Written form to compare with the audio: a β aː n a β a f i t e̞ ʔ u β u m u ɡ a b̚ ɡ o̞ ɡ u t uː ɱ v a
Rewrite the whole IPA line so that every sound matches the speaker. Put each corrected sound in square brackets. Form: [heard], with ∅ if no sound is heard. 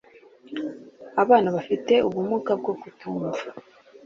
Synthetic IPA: a β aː n a β a f i t e̞ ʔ u β u m u [k] a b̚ ɡ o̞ ɡ u t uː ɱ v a